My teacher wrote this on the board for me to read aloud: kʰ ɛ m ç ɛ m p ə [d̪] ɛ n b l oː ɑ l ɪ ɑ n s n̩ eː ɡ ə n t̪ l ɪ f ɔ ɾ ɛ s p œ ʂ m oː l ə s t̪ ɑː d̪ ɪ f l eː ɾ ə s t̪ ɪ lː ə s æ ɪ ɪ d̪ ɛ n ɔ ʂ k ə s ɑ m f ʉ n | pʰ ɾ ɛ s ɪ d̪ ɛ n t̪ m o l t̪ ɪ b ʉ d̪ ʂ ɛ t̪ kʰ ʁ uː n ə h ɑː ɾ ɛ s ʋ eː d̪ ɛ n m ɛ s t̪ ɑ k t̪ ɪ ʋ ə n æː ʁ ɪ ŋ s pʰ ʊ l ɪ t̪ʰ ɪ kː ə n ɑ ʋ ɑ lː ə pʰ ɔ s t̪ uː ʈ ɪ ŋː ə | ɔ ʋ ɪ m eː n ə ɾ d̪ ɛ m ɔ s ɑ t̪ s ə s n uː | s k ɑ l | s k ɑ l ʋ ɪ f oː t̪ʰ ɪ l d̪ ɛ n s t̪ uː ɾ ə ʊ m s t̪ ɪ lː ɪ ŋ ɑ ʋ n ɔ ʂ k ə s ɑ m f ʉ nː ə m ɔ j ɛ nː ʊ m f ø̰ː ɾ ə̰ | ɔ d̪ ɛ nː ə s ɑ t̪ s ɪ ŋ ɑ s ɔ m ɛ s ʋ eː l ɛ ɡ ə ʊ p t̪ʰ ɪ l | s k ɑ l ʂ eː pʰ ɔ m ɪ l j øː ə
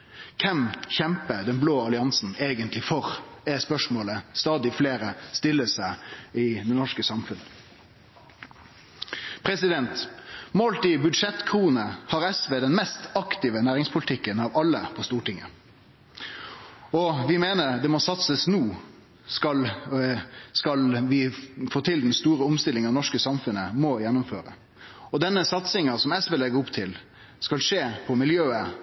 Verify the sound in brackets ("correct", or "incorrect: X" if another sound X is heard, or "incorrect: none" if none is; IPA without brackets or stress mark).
correct